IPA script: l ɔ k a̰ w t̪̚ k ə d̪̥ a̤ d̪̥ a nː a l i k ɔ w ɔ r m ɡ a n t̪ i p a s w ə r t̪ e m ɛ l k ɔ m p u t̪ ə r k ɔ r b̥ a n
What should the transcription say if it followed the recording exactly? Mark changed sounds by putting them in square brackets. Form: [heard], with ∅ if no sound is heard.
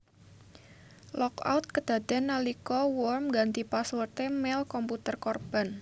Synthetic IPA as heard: l ɔ k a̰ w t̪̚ k ə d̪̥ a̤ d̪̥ a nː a l i k ɔ w ɔ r m ɡ a n t̪ i p a s w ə r t̪ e m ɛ l k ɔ m p u t̪ ə r k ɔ r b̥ a n